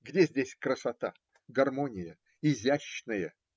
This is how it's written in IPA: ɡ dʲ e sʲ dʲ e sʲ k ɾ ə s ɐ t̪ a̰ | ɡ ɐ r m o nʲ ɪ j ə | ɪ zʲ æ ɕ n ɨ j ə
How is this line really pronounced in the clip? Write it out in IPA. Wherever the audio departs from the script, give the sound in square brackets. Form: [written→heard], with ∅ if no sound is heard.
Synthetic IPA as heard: ɡ dʲ e [sʲ→zʲ] dʲ e sʲ k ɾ ə s ɐ t̪ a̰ | ɡ ɐ r m o nʲ ɪ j ə | ɪ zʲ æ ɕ n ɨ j ə